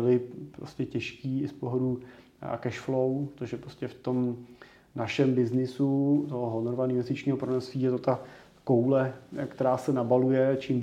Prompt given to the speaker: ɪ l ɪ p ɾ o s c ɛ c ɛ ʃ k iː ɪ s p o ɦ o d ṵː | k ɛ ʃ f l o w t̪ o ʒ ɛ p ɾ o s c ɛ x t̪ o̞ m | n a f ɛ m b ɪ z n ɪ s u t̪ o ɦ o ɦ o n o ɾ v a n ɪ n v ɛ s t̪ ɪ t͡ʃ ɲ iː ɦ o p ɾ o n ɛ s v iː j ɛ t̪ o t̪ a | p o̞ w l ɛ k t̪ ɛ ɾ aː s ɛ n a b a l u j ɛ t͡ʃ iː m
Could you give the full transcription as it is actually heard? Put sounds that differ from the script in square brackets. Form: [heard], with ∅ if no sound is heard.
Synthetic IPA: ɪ l ɪ p ɾ o s c ɛ c ɛ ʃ k iː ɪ s p o ɦ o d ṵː | k ɛ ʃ f l o w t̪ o ʒ ɛ p ɾ o s c ɛ [f] t̪ o̞ m | n a [ʃ] ɛ m b ɪ z n ɪ s u t̪ o ɦ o ɦ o n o ɾ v a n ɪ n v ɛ s t̪ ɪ t͡ʃ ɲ iː ɦ o p ɾ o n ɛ s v iː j ɛ t̪ o t̪ a | [k] o̞ w l ɛ k t̪ ɛ ɾ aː s ɛ n a b a l u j ɛ t͡ʃ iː m